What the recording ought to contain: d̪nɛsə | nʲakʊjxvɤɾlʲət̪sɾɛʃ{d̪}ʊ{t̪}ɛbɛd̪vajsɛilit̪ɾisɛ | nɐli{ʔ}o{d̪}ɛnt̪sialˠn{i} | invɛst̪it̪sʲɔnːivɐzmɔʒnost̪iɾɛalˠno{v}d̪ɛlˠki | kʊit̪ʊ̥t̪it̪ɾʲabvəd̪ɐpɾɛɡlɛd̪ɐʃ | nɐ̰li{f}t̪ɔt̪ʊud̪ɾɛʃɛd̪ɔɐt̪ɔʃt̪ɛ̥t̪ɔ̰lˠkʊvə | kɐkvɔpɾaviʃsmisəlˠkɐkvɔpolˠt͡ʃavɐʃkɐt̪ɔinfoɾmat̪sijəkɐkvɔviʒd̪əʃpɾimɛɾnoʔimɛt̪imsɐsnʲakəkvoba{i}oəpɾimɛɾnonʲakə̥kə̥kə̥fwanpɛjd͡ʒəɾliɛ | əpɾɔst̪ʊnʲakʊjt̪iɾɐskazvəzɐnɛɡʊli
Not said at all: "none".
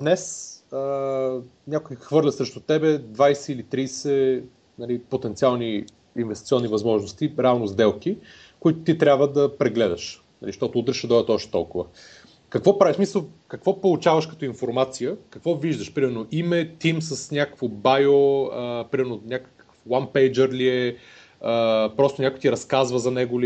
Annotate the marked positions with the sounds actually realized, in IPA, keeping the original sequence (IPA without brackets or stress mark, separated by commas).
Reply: t̪, t̪, p, t̪, i, z, ʃ, j